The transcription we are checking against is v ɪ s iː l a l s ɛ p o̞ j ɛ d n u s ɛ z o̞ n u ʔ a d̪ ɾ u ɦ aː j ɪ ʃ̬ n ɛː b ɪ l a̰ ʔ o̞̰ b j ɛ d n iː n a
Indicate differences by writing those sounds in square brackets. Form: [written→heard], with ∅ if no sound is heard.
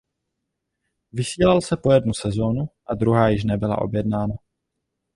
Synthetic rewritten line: v ɪ s iː l a l s ɛ p o̞ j ɛ d n u s ɛ z o̞ n u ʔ a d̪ ɾ u ɦ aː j ɪ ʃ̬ n [ɛː→ɛ] b ɪ l a̰ ʔ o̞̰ b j ɛ d n [iː→aː] n a